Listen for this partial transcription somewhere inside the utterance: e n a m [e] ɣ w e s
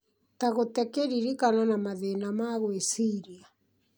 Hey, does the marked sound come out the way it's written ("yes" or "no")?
no